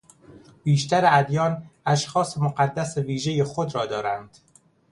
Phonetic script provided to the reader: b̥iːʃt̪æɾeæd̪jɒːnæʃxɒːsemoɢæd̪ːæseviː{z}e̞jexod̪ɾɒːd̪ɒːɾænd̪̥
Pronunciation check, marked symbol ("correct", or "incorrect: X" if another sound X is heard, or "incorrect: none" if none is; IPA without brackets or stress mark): incorrect: ʒ